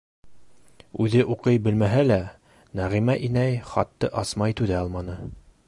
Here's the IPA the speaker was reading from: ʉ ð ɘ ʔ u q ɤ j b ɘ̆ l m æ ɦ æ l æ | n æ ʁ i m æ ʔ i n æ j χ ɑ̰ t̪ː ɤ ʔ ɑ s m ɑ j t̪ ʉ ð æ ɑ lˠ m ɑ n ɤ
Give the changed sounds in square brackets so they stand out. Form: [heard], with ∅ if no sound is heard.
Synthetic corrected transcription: ʉ ð ɘ ʔ u q ɤ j b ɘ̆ l m æ ɦ æ l æ | n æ ʁ i m æ ʔ i n æ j χ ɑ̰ t̪ː ɤ ʔ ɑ s m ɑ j t̪ ʉ ð æ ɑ lˠ m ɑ n ɤ